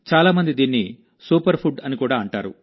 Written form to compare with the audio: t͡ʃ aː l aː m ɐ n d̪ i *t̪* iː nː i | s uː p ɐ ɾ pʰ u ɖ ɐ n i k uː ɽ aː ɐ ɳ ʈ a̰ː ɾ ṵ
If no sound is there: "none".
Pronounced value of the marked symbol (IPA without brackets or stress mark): d̪